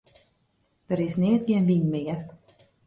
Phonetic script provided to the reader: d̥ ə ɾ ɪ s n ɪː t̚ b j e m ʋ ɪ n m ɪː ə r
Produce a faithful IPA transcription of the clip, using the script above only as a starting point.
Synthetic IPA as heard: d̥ ə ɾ ɪ s n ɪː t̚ ɡ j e n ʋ i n m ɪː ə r